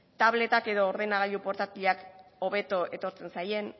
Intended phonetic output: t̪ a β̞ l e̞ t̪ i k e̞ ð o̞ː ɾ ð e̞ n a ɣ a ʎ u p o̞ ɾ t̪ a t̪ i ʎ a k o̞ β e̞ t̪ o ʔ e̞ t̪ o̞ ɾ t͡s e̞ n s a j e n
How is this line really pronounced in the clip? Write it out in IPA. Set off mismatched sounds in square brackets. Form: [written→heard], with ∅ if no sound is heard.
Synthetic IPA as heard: t̪ a β̞ l e̞ t̪ [i→a] k e̞ ð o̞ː ɾ ð e̞ n a ɣ a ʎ u p o̞ ɾ t̪ a t̪ i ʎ a k o̞ β e̞ t̪ o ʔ e̞ t̪ o̞ ɾ t͡s e̞ n s a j e n